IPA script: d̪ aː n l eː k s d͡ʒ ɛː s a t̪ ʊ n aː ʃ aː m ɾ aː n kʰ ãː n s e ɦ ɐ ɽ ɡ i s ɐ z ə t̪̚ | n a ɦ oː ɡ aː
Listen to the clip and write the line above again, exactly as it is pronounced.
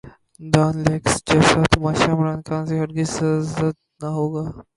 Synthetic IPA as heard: d̪ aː n l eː k s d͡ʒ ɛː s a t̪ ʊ m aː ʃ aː m ɾ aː n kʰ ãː n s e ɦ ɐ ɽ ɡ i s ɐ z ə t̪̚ | n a ɦ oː ɡ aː